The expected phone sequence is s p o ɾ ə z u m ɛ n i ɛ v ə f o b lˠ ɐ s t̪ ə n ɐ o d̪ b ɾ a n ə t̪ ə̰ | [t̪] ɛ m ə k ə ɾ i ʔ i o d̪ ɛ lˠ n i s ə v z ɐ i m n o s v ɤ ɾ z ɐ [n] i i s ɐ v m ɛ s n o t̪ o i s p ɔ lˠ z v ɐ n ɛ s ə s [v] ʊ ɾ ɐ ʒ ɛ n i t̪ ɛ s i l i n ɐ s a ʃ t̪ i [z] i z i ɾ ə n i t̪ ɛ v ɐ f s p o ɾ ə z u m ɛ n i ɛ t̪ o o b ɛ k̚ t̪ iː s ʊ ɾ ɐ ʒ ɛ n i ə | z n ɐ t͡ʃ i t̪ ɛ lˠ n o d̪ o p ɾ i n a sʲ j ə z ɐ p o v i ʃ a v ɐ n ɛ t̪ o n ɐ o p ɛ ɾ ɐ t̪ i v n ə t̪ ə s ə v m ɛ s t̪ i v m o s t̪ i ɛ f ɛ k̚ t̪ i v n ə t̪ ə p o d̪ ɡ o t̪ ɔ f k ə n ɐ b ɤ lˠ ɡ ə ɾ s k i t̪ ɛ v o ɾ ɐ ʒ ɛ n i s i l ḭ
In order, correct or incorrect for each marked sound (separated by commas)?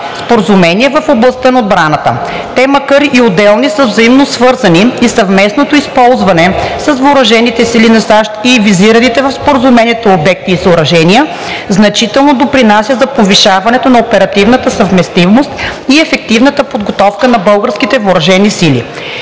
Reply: correct, correct, correct, incorrect